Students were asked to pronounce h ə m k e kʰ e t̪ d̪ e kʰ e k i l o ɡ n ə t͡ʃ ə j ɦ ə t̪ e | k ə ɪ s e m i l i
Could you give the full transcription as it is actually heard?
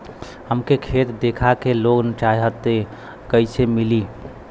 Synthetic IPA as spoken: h ə m k e kʰ e t̪ d̪ e kʰ a k e l o ɡ n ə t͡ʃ a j ɦ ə t̪ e | k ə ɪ s e m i l i